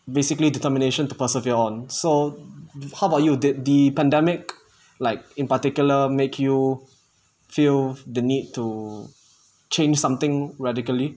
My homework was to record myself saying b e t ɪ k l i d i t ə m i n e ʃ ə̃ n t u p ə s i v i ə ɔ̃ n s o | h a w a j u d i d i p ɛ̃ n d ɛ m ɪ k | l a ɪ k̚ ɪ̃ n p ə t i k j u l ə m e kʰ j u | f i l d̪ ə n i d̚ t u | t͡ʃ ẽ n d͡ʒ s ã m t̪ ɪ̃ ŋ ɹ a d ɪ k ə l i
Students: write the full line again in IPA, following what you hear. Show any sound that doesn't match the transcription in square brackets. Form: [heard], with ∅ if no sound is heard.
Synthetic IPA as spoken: b e [s] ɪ k l i d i t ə m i n e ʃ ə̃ n t u p ə s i v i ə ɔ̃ n s o | h a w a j u d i d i p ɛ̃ n d ɛ m ɪ k | l a ɪ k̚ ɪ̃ n p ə t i k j u l ə m e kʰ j u | f i l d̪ ə n i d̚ t u | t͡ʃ ẽ n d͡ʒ s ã m t̪ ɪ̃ ŋ ɹ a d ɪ k ə l i